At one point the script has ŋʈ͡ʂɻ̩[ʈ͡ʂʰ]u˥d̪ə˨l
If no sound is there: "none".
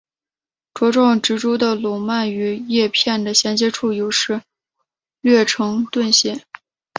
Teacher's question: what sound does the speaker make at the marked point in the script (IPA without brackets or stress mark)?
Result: ʈ͡ʂ